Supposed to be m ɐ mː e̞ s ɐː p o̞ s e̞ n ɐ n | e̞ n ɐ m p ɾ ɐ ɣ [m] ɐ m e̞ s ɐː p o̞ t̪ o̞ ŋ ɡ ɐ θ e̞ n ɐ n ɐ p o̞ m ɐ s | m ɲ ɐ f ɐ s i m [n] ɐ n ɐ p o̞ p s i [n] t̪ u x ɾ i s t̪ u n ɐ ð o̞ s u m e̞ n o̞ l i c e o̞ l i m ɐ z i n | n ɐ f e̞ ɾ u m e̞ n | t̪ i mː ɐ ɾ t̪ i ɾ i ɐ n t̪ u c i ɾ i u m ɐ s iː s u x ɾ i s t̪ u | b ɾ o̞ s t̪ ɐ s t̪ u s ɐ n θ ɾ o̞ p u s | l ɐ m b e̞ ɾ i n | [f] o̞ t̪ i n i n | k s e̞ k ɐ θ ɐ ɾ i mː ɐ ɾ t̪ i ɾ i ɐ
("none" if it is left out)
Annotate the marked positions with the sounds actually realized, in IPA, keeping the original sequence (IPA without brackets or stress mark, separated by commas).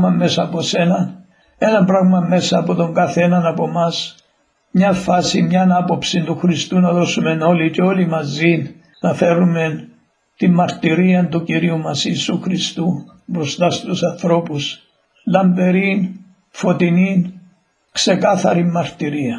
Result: m, ɲ, n, f